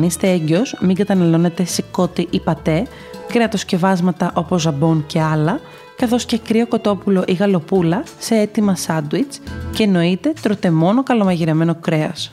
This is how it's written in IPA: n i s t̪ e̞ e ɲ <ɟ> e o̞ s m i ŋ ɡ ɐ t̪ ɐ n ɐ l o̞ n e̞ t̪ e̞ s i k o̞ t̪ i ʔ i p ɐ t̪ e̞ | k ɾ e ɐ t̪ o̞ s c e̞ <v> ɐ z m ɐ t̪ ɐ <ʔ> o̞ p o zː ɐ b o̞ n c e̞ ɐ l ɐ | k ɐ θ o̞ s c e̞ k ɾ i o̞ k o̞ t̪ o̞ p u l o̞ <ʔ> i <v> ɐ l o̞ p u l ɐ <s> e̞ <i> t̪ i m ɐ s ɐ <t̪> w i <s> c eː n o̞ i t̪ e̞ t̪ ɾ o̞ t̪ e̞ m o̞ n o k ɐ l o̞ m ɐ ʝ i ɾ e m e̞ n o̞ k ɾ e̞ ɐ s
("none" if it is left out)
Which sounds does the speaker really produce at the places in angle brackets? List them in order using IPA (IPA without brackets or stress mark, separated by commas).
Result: ɟ, v, ʔ, ʔ, ɣ, s, e, d̪, t͡s